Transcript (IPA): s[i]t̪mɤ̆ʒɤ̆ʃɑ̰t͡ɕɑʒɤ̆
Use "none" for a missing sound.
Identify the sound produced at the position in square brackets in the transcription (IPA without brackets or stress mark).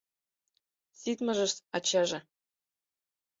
i